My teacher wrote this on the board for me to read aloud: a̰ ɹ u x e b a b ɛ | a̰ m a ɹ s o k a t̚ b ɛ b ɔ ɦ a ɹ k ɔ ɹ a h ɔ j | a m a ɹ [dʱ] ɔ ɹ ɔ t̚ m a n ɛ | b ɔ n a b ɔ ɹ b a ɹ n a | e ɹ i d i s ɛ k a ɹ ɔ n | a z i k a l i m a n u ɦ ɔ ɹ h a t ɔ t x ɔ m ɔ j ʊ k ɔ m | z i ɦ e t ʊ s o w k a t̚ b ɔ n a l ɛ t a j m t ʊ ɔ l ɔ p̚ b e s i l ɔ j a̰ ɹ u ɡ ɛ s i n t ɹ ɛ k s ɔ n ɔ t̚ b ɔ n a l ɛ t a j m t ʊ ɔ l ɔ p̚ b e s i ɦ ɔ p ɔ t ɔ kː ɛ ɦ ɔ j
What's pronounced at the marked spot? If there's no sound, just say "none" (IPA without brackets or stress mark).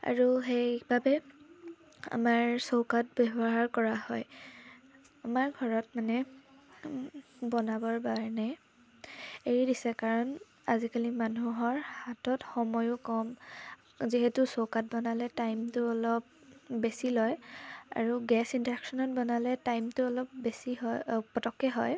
ɡʱ